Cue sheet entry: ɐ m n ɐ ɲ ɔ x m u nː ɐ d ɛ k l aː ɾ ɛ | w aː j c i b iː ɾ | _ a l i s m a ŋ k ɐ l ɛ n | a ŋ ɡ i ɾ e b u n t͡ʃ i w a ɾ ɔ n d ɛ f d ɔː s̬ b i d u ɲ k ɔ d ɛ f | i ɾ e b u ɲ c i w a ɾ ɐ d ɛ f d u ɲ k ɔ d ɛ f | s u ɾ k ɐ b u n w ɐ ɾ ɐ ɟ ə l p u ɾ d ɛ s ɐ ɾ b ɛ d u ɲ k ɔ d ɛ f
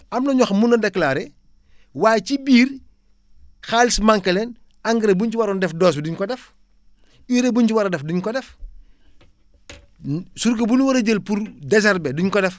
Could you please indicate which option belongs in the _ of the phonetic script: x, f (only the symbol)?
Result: x